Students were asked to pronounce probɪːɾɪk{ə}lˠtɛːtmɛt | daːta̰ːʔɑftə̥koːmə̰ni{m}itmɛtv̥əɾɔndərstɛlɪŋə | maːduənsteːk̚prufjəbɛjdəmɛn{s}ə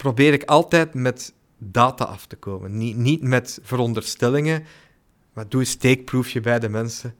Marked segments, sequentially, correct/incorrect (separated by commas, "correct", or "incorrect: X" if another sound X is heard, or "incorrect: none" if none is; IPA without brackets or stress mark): incorrect: ɑ, incorrect: n, correct